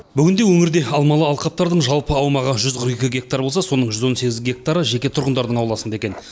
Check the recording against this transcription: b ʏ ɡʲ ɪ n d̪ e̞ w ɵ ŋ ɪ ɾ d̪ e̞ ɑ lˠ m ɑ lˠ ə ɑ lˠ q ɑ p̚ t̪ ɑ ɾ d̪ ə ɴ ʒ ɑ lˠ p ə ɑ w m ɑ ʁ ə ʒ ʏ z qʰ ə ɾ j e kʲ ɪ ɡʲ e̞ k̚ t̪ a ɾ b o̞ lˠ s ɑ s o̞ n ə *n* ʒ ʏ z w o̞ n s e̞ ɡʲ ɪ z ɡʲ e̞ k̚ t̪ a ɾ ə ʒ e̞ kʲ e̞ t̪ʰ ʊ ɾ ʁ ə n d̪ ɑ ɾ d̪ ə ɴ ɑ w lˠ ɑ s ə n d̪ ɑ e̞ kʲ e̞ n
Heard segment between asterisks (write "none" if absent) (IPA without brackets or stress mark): ɴ